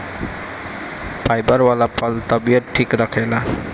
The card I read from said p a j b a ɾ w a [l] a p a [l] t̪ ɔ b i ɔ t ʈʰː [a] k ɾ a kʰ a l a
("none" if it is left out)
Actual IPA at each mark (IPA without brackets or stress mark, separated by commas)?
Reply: l, l, i